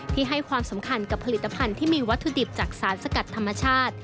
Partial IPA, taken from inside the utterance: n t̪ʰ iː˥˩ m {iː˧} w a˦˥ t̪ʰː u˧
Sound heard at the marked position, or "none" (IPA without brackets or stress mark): iː˧